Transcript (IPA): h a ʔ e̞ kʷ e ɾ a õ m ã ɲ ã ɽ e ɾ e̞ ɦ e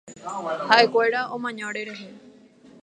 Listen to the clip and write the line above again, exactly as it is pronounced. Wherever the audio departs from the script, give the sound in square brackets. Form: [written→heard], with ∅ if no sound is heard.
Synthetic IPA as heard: h a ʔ e̞ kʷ e ɾ a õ m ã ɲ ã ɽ e ɾ e̞ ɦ e